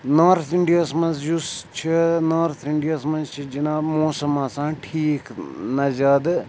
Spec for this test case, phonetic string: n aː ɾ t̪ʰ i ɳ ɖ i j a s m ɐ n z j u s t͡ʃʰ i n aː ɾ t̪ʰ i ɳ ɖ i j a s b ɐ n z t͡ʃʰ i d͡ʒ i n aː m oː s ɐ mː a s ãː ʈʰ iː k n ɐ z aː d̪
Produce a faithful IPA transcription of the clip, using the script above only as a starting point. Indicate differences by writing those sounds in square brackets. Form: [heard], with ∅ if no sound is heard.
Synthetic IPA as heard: n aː ɾ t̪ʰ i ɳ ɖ i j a s m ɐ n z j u s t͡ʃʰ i n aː ɾ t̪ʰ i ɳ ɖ i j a s [m] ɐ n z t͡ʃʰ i d͡ʒ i n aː m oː s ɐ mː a s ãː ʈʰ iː k n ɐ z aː d̪